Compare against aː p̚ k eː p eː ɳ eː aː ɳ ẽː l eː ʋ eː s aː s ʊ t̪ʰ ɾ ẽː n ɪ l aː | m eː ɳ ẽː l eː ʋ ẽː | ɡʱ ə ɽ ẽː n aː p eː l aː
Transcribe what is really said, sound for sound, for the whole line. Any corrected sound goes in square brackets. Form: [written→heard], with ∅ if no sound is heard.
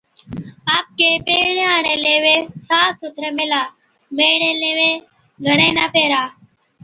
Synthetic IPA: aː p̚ k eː p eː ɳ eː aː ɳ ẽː l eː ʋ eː s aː s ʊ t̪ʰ ɾ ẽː [n→m] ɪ l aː | m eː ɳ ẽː l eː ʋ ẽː | ɡʱ ə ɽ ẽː n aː p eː [l→ɾ] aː